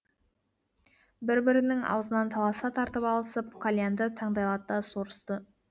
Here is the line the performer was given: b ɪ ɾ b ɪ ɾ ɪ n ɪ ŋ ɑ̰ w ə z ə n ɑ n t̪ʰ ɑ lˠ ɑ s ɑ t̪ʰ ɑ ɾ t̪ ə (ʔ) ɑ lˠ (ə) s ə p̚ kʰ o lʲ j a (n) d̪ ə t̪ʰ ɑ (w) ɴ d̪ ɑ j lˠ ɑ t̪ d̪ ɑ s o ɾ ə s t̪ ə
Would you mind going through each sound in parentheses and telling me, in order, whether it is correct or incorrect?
incorrect: p, correct, correct, incorrect: none

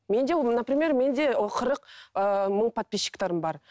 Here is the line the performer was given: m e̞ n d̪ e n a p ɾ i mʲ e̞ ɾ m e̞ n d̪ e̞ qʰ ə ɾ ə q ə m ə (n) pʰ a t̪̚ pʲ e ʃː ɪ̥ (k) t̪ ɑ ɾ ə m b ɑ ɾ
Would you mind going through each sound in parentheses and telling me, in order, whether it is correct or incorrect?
incorrect: ɴ, correct

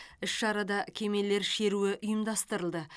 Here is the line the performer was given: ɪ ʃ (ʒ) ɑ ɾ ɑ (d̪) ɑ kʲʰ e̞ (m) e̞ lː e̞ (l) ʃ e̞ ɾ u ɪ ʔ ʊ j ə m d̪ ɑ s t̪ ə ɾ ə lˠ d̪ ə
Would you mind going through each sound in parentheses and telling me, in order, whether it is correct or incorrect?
incorrect: ʃ, correct, correct, incorrect: ɾ

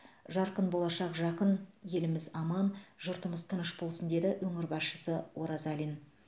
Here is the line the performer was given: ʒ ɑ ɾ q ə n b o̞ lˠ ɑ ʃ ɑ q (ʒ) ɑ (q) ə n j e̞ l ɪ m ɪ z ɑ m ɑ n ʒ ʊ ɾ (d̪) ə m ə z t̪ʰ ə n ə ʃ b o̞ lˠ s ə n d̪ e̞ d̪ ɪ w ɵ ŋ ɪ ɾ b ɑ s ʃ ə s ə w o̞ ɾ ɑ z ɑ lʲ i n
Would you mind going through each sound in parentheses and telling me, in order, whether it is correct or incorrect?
correct, correct, incorrect: t̪

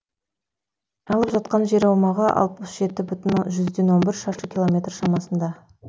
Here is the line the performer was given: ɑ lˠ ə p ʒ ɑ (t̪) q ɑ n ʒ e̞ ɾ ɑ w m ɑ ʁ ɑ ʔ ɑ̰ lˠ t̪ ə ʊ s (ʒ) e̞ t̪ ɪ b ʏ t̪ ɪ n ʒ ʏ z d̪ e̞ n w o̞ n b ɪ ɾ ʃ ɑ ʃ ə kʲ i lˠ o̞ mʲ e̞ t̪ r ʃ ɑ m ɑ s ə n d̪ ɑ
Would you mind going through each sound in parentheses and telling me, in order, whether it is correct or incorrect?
correct, correct

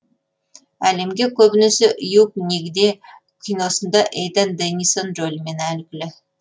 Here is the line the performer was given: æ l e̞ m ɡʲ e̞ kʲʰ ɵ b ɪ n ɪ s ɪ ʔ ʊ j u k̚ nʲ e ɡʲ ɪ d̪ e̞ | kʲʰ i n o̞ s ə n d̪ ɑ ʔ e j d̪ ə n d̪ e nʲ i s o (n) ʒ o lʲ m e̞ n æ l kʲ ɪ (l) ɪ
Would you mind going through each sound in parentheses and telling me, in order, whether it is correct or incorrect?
correct, correct

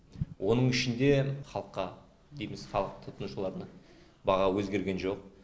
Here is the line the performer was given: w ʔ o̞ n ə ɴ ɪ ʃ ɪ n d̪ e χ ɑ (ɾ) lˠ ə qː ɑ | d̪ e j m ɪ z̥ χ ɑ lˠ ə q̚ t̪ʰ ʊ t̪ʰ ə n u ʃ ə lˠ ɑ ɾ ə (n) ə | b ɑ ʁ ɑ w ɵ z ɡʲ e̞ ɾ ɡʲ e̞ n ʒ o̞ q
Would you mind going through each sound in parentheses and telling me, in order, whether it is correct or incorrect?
incorrect: none, correct

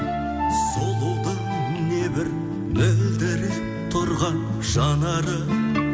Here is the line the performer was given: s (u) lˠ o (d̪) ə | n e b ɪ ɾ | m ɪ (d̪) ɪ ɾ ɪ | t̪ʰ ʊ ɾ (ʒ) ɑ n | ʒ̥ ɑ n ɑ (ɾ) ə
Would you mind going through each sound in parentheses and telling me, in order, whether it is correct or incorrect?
incorrect: o, correct, correct, incorrect: ʁ, correct

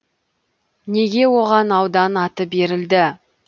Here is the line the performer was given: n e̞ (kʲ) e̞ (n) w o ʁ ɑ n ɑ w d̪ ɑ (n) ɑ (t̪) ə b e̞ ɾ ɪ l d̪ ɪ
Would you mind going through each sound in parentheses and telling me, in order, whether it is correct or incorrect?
incorrect: ɡʲ, incorrect: none, correct, correct

